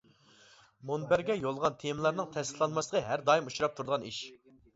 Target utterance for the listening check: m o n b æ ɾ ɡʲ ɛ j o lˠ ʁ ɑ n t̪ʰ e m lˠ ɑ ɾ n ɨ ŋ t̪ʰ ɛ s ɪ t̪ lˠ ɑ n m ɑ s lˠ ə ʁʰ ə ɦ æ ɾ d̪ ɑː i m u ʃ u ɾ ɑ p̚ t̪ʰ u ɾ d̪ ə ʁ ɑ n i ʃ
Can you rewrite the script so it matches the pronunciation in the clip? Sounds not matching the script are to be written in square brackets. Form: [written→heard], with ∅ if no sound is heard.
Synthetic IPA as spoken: m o n b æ ɾ ɡʲ ɛ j o lˠ ʁ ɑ n t̪ʰ e m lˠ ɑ ɾ n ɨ ŋ t̪ʰ ɛ s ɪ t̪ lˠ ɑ n m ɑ s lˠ ə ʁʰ ə ɦ æ ɾ d̪ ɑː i m u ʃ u ɾ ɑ p̚ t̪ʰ u ɾ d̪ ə ʁ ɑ n i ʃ